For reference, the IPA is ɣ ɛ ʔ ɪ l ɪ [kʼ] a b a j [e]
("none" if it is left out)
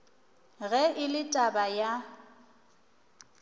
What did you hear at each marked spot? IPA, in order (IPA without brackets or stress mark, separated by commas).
tʼ, a